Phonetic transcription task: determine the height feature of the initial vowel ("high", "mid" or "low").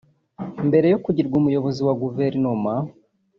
mid